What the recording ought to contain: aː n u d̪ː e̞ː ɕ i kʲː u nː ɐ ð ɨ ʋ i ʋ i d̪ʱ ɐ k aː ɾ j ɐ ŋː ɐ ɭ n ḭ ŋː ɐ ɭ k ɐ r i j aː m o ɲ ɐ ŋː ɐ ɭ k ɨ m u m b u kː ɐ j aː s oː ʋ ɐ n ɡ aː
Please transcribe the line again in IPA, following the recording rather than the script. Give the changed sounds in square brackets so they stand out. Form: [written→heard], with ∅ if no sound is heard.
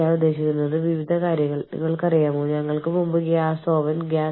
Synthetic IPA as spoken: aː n u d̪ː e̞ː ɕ i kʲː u nː ɐ ð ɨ ʋ i ʋ i d̪ʱ ɐ k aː ɾ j ɐ ŋː ɐ ɭ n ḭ ŋː ɐ ɭ k ɐ r i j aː m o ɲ ɐ ŋː ɐ ɭ k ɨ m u m b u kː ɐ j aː s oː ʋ ɐ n ɡ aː